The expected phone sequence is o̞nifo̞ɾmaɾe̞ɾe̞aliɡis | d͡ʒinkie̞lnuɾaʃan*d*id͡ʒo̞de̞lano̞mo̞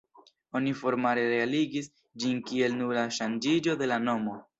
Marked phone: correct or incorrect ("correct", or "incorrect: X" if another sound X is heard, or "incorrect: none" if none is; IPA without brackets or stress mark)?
incorrect: d͡ʒ